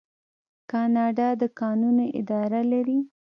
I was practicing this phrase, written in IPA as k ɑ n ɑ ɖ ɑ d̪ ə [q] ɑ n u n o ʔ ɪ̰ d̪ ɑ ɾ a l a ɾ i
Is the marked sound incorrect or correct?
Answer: incorrect